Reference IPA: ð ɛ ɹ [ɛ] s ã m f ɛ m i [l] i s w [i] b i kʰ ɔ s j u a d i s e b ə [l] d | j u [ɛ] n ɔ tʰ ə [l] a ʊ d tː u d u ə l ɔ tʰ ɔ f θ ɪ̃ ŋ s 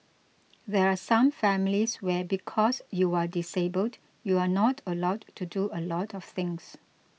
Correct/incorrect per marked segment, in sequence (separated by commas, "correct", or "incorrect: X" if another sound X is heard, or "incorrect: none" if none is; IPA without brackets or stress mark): incorrect: a, correct, incorrect: ɛ, correct, incorrect: a, correct